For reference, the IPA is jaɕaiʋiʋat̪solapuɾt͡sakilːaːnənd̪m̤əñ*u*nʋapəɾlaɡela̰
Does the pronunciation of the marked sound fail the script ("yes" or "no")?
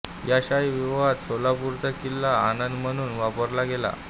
yes